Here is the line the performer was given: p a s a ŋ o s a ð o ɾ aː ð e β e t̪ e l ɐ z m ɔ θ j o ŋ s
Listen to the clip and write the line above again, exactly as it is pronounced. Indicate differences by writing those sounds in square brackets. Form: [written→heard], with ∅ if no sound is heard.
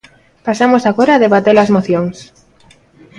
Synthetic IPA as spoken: p a s a [ŋ→m] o s a [ð→ɣ] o ɾ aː ð e β [e→a] t̪ e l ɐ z m [ɔ→o] θ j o ŋ s